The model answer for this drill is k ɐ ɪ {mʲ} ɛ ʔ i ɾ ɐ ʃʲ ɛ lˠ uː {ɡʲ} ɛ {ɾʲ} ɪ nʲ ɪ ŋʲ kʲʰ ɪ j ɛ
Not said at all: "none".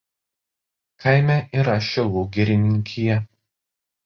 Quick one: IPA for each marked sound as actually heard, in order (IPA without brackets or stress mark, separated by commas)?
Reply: mʲ, ɡʲ, ɾʲ